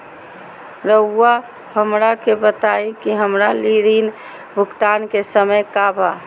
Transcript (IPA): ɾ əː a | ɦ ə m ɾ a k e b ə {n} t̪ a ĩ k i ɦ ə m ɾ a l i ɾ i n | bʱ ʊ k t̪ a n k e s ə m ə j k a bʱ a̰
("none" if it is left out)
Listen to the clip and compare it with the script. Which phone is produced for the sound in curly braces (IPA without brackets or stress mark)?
none